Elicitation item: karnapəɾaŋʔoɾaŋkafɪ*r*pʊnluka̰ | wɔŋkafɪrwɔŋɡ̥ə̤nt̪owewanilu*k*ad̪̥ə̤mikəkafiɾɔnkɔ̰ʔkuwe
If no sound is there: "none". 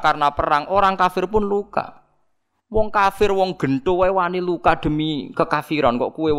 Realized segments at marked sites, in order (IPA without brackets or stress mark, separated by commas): r, k